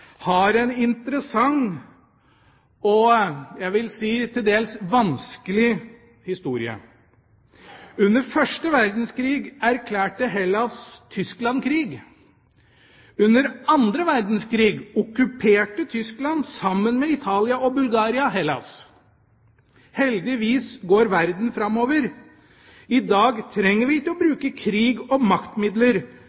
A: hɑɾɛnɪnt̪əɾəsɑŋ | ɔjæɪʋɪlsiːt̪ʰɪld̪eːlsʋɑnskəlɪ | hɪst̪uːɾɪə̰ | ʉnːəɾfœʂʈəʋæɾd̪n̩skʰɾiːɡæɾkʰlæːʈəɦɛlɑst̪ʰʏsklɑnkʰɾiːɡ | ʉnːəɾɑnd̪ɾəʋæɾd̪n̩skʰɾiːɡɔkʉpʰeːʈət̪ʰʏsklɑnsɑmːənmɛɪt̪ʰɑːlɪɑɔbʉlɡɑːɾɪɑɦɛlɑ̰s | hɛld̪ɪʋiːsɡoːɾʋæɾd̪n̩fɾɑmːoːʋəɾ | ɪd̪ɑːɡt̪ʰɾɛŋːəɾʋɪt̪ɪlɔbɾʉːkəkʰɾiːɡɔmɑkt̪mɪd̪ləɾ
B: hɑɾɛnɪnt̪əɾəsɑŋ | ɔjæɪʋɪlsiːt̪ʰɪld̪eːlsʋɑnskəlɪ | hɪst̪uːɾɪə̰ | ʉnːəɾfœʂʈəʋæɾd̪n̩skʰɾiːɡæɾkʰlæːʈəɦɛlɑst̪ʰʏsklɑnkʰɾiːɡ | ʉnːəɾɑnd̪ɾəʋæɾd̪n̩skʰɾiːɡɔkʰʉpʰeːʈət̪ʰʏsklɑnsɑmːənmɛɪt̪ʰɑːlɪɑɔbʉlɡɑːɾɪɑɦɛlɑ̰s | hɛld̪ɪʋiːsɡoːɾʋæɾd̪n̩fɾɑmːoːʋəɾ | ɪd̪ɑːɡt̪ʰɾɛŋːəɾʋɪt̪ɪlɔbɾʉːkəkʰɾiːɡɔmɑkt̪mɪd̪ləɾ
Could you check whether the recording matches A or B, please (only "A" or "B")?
A